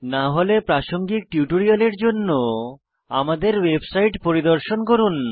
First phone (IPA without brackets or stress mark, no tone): n